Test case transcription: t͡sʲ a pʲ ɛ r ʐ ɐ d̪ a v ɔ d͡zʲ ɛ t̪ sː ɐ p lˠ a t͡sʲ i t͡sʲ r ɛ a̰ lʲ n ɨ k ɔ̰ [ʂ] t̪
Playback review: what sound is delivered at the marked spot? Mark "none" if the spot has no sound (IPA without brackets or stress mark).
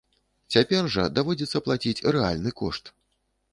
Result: ʂ